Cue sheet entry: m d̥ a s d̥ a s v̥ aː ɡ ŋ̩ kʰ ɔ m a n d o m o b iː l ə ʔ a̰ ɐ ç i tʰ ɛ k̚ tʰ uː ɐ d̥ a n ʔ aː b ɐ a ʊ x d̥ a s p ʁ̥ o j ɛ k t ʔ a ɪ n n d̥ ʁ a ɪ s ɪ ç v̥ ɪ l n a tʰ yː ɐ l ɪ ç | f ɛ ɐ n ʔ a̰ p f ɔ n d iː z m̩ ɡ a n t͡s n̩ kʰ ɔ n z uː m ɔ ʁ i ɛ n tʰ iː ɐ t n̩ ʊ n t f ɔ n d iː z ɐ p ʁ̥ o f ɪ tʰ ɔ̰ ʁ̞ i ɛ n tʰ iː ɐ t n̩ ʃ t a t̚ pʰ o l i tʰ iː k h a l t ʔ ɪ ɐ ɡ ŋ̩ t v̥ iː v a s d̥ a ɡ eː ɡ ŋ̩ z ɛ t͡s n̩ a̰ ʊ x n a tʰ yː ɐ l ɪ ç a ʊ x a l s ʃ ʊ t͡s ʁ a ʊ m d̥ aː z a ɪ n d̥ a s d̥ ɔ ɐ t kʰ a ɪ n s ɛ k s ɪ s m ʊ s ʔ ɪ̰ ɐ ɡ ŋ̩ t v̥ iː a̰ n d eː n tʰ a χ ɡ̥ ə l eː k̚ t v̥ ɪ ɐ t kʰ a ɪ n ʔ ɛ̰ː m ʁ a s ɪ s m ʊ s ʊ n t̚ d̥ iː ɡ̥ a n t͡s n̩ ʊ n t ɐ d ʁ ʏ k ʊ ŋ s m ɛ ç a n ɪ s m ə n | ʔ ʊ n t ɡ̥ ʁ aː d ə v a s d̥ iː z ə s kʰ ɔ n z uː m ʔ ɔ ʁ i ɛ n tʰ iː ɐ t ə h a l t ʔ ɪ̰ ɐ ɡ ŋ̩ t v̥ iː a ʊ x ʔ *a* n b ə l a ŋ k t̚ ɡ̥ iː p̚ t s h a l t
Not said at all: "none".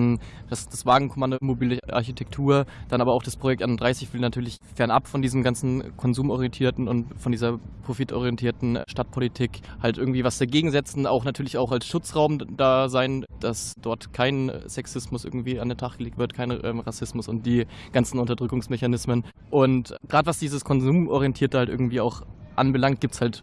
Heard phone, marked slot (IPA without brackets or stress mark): a